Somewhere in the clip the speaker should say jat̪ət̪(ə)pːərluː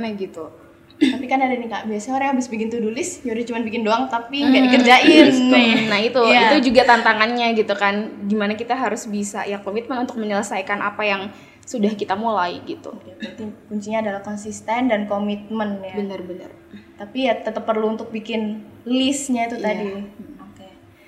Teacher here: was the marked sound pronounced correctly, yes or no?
yes